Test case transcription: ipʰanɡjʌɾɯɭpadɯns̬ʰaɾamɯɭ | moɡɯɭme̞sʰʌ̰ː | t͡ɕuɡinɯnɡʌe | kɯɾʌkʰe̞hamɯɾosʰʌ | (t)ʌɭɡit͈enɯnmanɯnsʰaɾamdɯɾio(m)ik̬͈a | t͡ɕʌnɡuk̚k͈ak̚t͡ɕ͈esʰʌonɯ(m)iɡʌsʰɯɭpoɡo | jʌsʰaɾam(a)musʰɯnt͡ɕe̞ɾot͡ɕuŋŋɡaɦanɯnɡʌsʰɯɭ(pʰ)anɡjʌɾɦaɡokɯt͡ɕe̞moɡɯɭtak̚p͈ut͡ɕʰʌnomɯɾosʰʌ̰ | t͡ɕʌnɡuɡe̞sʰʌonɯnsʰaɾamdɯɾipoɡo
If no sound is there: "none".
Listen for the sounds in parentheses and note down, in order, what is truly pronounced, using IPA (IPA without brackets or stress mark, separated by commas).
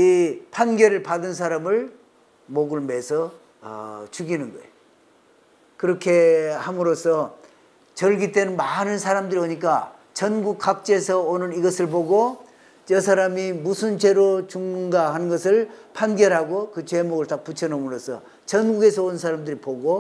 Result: t͡ɕ, ɲ, n, i, pʰ